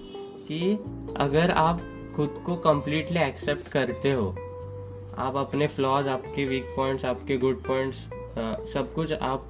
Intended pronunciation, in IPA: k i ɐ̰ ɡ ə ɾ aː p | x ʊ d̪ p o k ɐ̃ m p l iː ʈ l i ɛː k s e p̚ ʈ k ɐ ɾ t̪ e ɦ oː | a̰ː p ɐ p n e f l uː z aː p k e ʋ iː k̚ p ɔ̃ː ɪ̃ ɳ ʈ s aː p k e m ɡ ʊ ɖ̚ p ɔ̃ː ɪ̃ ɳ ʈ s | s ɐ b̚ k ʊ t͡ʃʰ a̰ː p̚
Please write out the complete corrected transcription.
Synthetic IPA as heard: k i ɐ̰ ɡ ə ɾ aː p | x ʊ d̪ k o k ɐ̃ m p l iː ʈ l i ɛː k s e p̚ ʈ k ɐ ɾ t̪ e ɦ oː | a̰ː p ɐ p n e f l ɔː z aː p k e ʋ iː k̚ p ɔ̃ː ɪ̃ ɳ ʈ s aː p k e ɡ ʊ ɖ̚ p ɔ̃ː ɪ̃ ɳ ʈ s | s ɐ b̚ k ʊ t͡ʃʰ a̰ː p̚